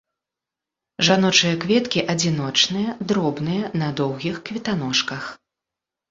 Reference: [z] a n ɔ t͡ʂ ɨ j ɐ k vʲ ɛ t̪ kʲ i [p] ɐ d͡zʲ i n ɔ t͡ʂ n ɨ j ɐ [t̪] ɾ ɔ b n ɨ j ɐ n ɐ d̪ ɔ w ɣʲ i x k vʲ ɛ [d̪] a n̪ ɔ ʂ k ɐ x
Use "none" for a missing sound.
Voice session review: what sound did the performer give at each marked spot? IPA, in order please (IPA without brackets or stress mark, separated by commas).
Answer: ʐ, ʔ, d̪, t̪